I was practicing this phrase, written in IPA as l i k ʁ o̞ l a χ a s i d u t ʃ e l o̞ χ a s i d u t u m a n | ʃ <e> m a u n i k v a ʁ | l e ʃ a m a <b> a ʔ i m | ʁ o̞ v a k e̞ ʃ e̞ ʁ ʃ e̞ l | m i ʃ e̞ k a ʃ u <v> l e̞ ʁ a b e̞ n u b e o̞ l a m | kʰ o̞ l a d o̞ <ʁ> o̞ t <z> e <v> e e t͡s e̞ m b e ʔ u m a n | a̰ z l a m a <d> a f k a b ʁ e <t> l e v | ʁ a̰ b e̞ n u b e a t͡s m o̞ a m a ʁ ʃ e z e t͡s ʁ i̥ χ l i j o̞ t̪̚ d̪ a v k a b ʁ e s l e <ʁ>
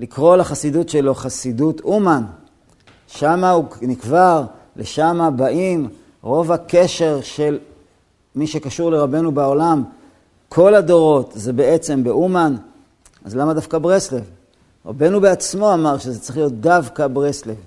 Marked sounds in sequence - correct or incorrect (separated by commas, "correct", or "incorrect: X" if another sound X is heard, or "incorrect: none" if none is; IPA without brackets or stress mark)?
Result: incorrect: a, correct, incorrect: ʁ, correct, correct, incorrect: b, correct, incorrect: s, incorrect: v